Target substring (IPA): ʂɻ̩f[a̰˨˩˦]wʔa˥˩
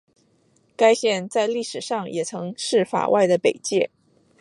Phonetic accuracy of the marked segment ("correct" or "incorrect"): incorrect